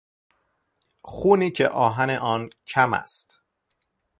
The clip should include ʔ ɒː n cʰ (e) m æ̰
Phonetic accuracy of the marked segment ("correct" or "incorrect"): incorrect